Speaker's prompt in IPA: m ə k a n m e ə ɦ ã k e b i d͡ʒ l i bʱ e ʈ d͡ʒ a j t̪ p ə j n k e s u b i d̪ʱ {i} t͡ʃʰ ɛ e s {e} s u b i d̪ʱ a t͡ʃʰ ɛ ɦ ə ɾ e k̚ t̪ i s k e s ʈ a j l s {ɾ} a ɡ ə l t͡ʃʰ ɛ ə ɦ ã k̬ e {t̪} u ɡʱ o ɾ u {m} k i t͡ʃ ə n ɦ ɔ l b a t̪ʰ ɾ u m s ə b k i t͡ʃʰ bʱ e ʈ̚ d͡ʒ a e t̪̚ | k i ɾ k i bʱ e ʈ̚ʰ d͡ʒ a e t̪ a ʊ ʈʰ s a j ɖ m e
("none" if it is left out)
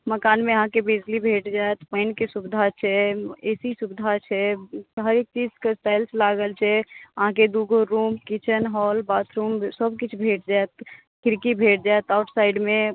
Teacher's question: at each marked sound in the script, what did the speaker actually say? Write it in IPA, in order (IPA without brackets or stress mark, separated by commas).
a, i, l, d̪, m